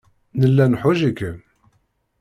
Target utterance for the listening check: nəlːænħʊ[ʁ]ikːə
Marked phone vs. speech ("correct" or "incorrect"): incorrect